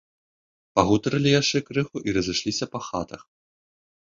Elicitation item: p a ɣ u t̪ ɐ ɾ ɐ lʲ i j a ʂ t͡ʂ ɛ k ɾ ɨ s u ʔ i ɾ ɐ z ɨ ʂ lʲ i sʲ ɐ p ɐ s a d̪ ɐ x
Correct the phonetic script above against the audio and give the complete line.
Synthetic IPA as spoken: p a ɣ u t̪ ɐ ɾ ɐ lʲ i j a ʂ t͡ʂ ɛ k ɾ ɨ x u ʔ i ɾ ɐ z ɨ ʂ lʲ i sʲ ɐ p ɐ x a t̪ ɐ x